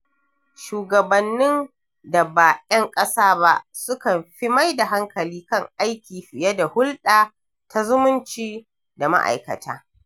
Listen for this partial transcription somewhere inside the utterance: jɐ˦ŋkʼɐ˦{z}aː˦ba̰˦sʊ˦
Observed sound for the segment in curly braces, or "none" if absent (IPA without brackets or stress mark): s